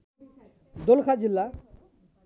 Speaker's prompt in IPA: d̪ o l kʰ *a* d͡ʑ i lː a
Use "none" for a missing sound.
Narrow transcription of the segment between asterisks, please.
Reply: a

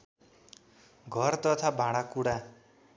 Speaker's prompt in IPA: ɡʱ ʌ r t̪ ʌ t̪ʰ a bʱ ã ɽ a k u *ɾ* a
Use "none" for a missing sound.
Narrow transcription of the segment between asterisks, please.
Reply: ɽ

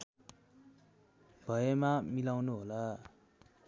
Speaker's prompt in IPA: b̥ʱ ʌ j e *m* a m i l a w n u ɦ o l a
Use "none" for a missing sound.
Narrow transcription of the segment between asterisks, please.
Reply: m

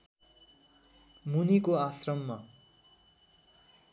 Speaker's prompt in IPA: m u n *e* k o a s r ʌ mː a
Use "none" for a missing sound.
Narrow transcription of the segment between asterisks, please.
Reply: i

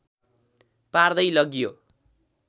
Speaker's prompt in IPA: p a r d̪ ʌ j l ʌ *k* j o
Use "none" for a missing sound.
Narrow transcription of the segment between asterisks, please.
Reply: ɡ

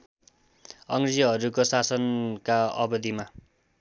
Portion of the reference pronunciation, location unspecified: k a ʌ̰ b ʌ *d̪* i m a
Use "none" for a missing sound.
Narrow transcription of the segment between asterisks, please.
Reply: d̪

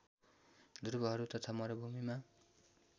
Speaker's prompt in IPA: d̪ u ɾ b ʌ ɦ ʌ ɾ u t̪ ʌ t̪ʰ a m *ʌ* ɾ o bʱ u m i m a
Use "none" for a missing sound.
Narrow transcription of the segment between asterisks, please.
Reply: ʌ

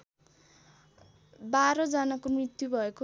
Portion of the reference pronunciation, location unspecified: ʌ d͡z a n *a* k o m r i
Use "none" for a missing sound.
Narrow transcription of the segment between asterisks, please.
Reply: a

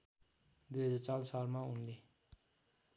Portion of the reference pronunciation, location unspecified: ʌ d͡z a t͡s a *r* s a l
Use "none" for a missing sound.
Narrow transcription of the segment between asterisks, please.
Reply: l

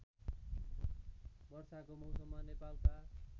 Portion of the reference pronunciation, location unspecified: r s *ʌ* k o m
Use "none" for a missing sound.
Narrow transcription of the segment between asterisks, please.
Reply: a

